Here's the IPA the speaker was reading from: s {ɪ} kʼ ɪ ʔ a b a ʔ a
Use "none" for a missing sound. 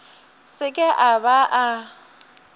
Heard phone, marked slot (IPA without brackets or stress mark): ɪ